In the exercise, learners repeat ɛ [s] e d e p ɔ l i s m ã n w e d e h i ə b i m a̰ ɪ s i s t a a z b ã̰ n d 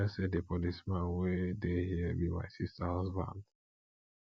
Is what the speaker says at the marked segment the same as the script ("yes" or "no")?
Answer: yes